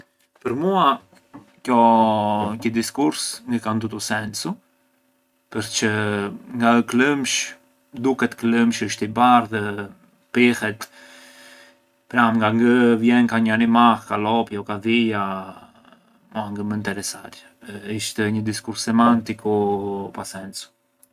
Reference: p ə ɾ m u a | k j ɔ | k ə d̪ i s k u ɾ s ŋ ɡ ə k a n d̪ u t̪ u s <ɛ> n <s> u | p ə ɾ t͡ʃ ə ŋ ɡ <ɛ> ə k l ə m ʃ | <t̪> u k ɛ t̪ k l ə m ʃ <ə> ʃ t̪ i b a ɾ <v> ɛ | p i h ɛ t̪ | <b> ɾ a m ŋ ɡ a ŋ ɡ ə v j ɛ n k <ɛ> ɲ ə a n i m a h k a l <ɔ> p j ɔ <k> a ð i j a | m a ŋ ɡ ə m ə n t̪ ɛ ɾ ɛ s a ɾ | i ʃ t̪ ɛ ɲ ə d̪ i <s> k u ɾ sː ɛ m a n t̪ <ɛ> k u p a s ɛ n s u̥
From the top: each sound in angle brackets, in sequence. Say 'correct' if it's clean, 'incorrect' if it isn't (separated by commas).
correct, correct, incorrect, incorrect, correct, incorrect, incorrect, incorrect, correct, correct, correct, incorrect